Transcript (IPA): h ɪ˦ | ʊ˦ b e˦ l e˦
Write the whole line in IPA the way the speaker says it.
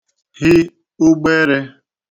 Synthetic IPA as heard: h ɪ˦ | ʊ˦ ɡ͡b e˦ ɾ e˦